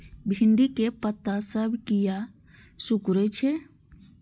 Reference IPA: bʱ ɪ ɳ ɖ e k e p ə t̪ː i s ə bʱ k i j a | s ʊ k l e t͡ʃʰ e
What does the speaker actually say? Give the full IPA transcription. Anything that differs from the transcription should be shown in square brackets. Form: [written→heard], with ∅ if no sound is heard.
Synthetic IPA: bʱ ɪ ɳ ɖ [e→i] k e p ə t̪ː [i→a] s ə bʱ k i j a | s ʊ k [l→ɾ] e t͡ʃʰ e